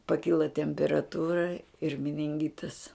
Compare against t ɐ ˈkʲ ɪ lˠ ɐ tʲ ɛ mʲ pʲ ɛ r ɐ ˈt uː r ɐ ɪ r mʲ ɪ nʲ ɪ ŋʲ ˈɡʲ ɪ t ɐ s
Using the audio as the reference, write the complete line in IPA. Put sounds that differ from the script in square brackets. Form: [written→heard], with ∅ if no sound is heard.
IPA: [t→p] ɐ ˈkʲ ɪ lˠ ɐ tʲ ɛ mʲ pʲ ɛ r ɐ ˈt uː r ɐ ɪ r mʲ ɪ nʲ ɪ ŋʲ ˈɡʲ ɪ t ɐ s